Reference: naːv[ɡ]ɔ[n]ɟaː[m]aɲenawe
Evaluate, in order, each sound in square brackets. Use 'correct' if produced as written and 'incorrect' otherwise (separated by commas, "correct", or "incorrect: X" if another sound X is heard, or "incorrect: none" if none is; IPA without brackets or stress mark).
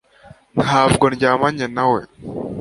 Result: correct, correct, correct